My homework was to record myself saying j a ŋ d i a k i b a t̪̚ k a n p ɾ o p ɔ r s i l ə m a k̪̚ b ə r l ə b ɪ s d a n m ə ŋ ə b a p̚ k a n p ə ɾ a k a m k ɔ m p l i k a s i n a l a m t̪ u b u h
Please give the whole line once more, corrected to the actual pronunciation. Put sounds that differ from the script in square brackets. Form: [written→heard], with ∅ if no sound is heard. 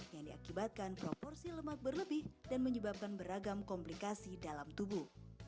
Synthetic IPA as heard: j a ŋ d i a k i b a t̪̚ k a n p ɾ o p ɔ r s i l ə m a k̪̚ b ə r l ə b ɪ [s→h] d a n m ə [ŋ→ɲ] ə b a p̚ k a n [p→b] ə ɾ a [k→ɡ] a m k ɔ m p l i k a s i [n→d] a l a m t̪ u b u h